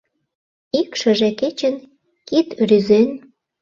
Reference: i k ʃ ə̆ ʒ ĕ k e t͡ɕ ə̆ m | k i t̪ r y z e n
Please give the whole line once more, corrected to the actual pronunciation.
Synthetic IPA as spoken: i k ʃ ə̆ ʒ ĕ k e t͡ɕ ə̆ n | k i t̪ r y z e n